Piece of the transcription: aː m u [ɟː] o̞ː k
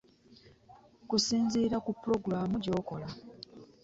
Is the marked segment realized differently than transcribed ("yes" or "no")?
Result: yes